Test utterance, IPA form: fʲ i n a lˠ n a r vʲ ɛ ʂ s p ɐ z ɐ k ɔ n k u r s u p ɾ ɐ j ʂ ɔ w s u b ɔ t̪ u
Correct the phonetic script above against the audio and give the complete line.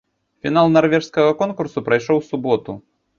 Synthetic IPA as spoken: fʲ i n a lˠ n a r vʲ ɛ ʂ s k ɐ ɣ ɐ k ɔ n k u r s u p ɾ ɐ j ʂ ɔ w s u b ɔ t̪ u

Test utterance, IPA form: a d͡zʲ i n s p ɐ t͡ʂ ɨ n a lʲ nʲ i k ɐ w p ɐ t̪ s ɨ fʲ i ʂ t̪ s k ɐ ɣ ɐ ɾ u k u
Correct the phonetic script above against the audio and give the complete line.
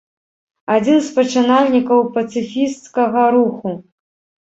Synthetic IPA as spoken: a d͡zʲ i n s p ɐ t͡ʂ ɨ n a lʲ nʲ i k ɐ w p ɐ t̪ s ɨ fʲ i s t̪ s k ɐ ɣ ɐ ɾ u x u

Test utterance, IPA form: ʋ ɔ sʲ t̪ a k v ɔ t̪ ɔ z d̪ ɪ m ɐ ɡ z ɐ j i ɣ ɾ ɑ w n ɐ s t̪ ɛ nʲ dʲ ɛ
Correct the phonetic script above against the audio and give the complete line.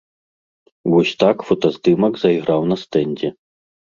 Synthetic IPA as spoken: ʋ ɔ sʲ t̪ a k f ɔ t̪ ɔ z d̪ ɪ m ɐ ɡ z ɐ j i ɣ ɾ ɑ w n ɐ s t̪ ɛ nʲ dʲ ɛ

